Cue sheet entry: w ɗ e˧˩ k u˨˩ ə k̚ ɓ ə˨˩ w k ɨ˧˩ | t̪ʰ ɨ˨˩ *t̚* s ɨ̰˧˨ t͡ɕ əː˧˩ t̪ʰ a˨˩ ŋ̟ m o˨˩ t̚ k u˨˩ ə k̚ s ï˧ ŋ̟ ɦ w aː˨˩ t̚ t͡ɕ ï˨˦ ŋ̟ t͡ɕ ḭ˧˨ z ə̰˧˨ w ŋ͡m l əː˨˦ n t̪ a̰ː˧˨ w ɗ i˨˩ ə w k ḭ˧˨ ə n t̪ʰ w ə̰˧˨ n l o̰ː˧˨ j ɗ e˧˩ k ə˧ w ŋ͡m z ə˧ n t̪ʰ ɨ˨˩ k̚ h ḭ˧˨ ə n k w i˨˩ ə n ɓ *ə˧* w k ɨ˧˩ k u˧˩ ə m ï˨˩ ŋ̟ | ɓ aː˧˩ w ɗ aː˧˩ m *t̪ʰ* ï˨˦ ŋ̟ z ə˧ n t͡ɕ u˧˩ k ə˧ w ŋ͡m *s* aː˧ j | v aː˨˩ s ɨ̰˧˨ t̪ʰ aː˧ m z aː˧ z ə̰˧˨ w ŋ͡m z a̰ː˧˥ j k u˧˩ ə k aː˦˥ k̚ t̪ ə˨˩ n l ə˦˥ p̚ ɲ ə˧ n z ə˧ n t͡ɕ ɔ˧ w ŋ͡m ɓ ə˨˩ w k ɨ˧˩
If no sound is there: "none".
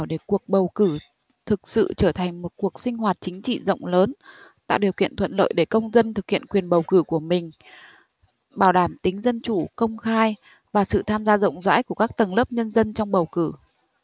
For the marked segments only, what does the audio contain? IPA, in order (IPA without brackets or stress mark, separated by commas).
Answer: k̚, ə˨˩, t̪, x